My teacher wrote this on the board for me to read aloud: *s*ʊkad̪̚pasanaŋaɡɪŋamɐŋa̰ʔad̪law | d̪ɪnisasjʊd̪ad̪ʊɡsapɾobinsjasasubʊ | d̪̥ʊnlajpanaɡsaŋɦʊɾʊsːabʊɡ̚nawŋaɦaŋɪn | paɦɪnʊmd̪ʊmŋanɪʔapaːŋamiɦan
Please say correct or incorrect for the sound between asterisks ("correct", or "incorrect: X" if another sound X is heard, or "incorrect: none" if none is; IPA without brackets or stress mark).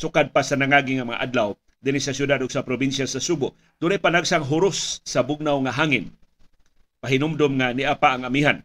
correct